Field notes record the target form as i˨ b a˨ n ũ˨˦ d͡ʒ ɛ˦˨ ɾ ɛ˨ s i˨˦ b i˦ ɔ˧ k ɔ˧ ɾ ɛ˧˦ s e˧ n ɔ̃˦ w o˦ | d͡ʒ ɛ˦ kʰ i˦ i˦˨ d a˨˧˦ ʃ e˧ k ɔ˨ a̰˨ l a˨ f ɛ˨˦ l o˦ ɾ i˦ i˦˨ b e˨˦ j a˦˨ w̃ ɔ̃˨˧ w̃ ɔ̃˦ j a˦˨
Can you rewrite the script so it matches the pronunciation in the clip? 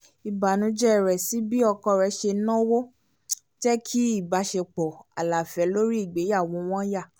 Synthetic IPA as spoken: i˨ b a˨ n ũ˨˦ d͡ʒ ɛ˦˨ ɾ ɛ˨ s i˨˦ b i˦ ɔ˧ k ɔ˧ ɾ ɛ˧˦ ʃ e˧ n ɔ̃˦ w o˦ | d͡ʒ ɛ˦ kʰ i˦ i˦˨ b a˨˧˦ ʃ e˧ k͡p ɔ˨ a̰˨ l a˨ f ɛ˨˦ l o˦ ɾ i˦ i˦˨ ɡ͡b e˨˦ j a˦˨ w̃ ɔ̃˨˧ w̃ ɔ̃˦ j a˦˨